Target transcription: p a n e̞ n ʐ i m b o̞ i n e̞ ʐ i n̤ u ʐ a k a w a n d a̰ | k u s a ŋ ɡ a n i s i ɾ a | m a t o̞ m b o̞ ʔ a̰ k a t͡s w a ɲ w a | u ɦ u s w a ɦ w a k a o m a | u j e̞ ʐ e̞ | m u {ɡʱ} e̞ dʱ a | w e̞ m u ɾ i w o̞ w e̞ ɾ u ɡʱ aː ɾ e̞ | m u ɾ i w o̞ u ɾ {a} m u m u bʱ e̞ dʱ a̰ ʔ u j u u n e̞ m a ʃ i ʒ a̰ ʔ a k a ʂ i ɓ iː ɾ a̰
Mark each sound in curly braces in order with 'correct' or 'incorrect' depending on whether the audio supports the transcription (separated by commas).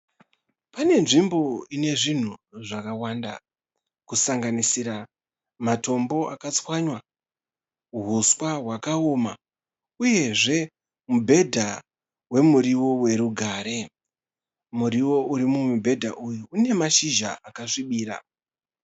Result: incorrect, incorrect